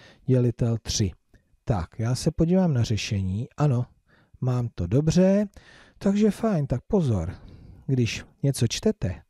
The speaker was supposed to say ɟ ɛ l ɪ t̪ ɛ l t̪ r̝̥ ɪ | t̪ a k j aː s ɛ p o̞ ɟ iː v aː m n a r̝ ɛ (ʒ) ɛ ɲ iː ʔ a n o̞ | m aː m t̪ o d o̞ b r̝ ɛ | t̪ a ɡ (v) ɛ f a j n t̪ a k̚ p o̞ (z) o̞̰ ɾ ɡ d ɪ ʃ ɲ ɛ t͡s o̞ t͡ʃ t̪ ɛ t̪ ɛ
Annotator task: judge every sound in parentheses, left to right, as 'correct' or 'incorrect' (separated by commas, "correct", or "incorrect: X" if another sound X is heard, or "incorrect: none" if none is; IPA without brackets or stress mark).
incorrect: ʃ, incorrect: ʒ, correct